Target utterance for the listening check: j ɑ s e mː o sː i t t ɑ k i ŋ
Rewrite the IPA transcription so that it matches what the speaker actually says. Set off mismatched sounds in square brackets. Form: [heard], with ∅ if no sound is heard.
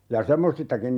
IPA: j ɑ s e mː o [s] i [s] t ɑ k i [n]